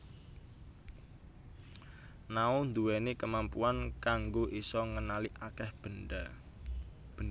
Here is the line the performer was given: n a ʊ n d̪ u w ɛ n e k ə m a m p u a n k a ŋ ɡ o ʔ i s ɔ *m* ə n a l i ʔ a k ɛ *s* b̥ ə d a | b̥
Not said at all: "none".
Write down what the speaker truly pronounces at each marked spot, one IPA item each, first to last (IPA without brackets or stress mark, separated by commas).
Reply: ŋ, h